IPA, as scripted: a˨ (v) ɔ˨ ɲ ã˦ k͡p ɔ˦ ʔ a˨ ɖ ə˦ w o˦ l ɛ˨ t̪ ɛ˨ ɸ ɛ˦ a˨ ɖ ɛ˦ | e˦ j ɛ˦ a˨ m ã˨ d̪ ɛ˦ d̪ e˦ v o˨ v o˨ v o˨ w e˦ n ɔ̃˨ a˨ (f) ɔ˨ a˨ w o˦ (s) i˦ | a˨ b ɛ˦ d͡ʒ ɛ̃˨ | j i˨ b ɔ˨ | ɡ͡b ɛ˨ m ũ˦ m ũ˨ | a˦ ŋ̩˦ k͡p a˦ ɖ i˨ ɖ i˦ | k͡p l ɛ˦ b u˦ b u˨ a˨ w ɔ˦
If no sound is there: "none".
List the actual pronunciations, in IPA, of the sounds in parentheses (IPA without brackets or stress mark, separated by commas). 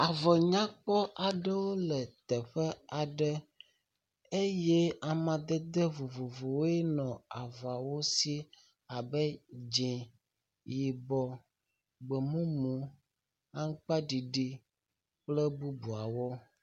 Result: v, v, s